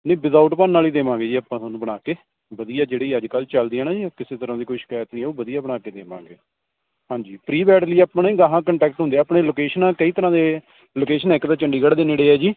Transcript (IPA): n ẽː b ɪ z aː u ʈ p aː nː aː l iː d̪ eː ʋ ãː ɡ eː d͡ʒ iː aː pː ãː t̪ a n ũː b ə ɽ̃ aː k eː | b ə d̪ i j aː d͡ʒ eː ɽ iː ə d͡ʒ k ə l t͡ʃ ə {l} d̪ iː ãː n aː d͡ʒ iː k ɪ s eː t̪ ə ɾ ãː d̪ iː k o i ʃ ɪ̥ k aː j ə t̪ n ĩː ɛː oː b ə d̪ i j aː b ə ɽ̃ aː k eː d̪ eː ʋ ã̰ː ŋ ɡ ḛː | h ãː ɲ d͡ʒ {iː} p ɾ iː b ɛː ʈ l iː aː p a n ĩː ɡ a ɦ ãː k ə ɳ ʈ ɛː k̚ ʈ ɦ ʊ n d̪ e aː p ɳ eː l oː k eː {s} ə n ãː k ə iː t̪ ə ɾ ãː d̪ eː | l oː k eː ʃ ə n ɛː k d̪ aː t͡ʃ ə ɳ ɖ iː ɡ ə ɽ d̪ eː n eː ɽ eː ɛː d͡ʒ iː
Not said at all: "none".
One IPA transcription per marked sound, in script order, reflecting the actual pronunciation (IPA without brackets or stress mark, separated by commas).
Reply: l, iː, ʃ